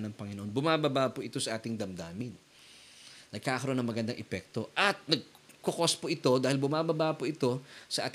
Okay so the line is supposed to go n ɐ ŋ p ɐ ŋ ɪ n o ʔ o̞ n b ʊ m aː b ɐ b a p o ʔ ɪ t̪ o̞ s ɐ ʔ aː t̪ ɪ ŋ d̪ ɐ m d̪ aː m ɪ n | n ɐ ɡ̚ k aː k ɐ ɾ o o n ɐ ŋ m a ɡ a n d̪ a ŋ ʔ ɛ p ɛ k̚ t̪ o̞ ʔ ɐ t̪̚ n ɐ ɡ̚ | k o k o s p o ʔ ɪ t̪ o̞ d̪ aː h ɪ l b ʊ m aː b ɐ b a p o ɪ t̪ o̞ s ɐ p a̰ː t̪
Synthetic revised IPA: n ɐ ŋ p ɐ ŋ ɪ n o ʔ o̞ n b ʊ m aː b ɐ b a p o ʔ ɪ t̪ o̞ s ɐ ʔ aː t̪ ɪ ŋ d̪ ɐ m d̪ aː m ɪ n | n ɐ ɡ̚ k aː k ɐ ɾ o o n ɐ ŋ m ɐ ɡ ɐ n d̪ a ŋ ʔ ɛ p ɛ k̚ t̪ o̞ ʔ ɐ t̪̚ n ɐ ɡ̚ | k o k o s p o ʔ ɪ t̪ o̞ d̪ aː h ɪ l b ʊ m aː b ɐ b a p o ɪ t̪ o̞ s ɐ ʔ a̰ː t̪